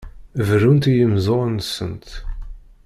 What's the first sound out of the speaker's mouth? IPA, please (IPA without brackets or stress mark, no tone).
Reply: v